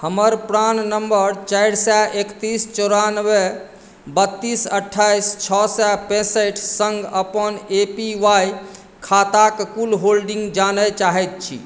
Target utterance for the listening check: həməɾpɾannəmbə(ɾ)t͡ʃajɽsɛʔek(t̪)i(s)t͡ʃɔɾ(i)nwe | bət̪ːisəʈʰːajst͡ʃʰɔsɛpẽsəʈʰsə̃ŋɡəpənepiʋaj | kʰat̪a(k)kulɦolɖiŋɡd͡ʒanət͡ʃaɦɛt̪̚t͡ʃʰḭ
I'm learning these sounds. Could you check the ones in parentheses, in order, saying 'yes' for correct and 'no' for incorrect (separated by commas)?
yes, yes, yes, no, yes